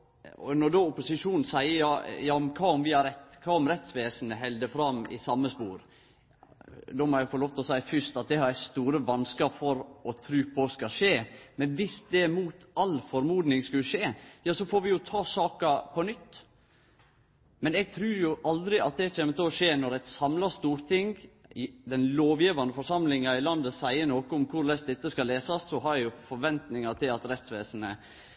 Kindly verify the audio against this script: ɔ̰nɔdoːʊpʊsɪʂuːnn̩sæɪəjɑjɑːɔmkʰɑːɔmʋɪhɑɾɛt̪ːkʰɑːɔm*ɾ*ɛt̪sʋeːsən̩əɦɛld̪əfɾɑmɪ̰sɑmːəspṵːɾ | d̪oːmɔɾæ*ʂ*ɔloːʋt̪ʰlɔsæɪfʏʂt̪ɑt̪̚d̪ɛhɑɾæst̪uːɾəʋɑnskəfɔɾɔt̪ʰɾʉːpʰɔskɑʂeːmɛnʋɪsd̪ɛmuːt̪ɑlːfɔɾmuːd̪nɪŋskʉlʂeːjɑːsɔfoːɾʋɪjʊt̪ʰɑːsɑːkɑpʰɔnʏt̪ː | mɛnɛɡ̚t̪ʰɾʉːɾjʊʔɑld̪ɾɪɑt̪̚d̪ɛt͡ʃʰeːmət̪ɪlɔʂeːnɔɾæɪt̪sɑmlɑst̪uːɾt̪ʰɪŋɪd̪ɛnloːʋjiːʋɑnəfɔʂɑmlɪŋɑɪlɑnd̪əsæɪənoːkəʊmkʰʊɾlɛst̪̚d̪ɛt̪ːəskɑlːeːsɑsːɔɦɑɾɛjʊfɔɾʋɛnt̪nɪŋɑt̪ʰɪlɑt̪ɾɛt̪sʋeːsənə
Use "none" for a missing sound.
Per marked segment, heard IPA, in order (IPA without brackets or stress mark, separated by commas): ɾ, f